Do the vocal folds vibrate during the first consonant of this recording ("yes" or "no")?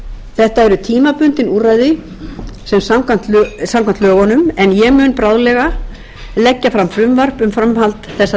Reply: no